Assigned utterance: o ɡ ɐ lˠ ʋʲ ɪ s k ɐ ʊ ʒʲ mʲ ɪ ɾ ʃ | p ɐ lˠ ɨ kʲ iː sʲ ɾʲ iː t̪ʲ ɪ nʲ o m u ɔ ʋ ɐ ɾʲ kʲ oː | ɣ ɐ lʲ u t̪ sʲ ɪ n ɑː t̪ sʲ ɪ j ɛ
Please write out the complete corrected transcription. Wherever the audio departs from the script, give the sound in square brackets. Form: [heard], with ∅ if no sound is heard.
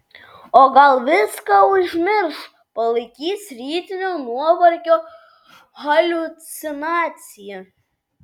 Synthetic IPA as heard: o ɡ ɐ lˠ ʋʲ ɪ s k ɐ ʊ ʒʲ mʲ ɪ ɾ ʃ | p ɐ lˠ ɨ kʲ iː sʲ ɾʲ iː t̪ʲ ɪ nʲ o [n] u ɔ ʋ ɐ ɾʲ kʲ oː | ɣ ɐ lʲ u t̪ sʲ ɪ n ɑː t̪ sʲ ɪ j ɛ